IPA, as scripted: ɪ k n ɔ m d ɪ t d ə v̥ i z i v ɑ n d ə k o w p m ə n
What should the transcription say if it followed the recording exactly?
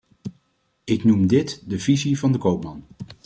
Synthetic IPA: ɪ k n u m d ɪ t d ə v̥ i z i v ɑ n d ə k o w p m ɑ n